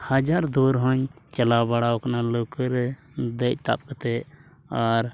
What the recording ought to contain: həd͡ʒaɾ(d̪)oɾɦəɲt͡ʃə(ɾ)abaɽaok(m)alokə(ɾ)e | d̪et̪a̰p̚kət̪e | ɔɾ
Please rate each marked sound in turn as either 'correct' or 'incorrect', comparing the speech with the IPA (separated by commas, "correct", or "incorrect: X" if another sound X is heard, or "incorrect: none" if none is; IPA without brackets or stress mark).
correct, incorrect: l, incorrect: n, correct